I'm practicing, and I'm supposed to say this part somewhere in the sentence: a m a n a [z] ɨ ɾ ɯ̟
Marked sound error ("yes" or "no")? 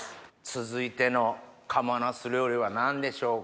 yes